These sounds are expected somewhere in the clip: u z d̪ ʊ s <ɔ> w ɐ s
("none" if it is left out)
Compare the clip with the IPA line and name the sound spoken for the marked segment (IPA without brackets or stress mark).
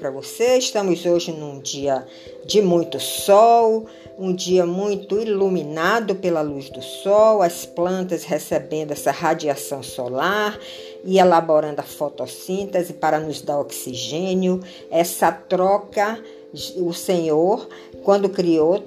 ɔ